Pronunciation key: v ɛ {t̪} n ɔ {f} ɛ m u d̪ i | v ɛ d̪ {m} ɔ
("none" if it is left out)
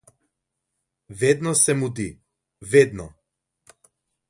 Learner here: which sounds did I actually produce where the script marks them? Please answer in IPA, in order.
d̪, s, n

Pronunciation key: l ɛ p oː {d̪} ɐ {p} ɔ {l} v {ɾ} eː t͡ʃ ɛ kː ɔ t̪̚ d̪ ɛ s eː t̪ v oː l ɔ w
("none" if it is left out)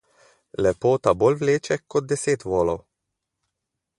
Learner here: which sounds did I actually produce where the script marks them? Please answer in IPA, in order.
t̪, b, l, l

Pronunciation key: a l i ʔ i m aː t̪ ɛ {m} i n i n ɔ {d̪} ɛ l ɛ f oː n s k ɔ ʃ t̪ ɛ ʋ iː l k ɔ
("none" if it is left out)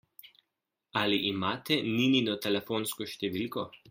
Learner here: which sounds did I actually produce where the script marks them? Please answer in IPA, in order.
n, t̪

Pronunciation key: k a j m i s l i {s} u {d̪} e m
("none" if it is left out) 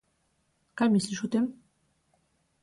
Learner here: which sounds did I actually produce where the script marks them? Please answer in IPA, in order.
ʃ, t̪

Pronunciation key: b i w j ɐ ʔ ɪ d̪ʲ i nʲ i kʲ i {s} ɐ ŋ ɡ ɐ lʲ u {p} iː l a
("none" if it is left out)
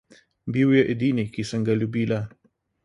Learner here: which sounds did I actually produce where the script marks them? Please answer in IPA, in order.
s, b

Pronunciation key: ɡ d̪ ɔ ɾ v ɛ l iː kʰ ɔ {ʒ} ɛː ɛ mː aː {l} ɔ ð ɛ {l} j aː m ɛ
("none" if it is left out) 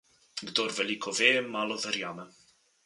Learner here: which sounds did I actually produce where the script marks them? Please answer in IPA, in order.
v, l, ɾ

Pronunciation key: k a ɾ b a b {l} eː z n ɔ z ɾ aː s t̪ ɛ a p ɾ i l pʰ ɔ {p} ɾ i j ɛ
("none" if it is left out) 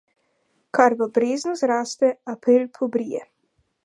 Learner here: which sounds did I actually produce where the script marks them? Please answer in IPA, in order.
ɾ, b

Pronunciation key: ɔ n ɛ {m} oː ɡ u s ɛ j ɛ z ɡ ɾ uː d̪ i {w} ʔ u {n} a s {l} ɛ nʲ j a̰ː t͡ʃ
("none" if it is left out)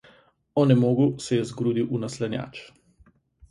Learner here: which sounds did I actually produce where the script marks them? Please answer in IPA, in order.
m, w, n, l

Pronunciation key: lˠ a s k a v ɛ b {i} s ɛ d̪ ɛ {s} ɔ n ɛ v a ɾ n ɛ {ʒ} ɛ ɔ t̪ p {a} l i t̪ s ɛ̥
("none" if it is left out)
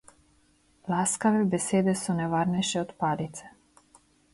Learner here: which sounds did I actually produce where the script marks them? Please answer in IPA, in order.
ɛ, s, ʃ, a

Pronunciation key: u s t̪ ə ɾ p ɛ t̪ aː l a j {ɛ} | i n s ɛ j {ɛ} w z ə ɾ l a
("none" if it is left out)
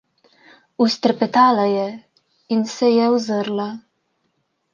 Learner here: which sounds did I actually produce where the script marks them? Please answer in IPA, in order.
ɛ, ɛ

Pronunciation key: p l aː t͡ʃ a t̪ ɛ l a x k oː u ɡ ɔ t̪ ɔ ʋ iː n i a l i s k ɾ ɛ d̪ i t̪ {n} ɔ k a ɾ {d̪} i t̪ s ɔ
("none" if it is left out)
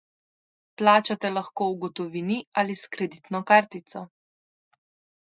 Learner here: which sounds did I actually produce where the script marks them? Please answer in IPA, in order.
n, t̪

